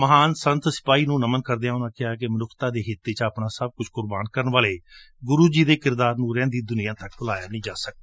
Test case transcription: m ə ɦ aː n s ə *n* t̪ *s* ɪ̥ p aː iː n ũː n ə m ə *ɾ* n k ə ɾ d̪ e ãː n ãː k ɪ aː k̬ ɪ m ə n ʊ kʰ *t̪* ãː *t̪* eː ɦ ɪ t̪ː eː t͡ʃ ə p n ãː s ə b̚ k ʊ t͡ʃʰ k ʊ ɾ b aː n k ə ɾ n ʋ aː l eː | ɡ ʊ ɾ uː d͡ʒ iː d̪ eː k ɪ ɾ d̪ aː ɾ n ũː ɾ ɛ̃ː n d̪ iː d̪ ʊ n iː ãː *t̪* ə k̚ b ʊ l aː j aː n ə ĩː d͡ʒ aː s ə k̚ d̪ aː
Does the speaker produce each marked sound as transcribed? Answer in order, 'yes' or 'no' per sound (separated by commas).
yes, yes, no, yes, no, yes